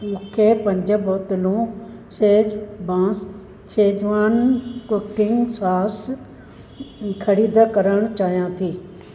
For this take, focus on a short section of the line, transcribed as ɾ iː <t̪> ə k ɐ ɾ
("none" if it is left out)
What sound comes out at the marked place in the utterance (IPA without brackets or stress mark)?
d̪